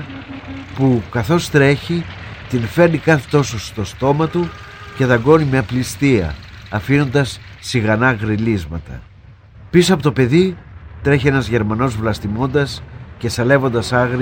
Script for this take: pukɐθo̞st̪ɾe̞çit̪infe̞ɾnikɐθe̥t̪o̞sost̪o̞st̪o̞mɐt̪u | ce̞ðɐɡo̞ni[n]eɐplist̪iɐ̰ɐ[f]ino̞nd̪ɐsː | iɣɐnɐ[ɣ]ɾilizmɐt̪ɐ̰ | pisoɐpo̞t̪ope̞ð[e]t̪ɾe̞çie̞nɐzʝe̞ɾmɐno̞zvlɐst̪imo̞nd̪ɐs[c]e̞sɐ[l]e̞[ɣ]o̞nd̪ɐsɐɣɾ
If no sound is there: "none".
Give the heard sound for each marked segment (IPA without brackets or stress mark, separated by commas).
m, f, ɣ, i, c, l, v